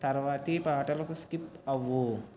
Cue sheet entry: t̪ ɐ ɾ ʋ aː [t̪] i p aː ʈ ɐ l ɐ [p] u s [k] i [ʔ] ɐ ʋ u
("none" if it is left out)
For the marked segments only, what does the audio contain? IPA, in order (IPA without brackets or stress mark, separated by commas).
t̪, k, k, p